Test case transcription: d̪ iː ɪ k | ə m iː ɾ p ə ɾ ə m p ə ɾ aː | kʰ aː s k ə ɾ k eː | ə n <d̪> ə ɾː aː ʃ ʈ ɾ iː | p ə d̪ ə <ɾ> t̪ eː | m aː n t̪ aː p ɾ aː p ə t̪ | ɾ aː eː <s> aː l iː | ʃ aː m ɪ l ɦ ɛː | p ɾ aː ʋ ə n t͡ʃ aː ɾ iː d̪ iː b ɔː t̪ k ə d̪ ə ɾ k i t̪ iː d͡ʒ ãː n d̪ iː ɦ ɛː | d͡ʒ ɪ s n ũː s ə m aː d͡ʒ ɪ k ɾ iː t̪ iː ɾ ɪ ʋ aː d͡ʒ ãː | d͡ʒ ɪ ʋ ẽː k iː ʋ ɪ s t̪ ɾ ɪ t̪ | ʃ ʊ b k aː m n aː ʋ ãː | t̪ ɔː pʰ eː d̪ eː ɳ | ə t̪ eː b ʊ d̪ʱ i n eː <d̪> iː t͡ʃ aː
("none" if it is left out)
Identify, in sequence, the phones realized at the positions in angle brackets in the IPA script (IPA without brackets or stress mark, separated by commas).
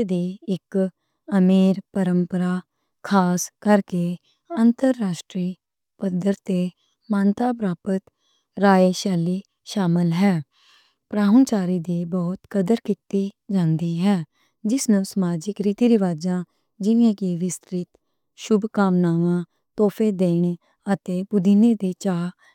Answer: t̪, ɾ, ʃ, d̪